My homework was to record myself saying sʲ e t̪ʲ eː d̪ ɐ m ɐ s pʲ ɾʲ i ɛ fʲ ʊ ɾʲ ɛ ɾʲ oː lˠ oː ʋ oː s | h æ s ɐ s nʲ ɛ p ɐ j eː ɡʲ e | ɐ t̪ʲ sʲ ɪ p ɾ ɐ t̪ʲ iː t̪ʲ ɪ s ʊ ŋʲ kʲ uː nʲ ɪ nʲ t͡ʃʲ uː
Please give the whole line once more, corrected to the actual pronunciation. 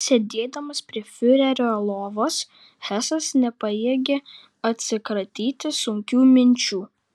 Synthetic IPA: sʲ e d̪ʲ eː d̪ ɐ m ɐ s pʲ ɾʲ i ɛ fʲ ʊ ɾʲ ɛ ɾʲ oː lˠ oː ʋ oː s | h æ s ɐ s nʲ ɛ p ɐ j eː ɡʲ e | ɐ t̪ʲ sʲ ɪ k ɾ ɐ t̪ʲ iː t̪ʲ ɪ s ʊ ŋʲ kʲ uː mʲ ɪ nʲ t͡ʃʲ uː